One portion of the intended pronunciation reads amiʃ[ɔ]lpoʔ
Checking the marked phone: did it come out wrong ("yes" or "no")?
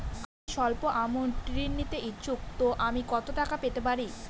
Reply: no